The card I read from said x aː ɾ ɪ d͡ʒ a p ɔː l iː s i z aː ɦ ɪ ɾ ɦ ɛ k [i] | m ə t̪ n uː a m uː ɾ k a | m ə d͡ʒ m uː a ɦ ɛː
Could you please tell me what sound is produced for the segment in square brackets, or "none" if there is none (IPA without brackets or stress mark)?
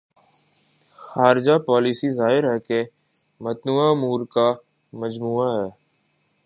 e